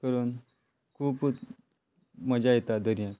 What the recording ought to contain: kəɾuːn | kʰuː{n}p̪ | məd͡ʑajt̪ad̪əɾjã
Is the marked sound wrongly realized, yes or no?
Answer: yes